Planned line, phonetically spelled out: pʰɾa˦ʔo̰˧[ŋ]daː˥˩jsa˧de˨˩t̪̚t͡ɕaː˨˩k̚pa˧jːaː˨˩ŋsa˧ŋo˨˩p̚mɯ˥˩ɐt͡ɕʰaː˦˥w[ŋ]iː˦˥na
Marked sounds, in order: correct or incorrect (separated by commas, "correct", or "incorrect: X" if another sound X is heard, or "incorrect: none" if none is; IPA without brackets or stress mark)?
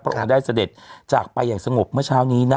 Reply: correct, incorrect: n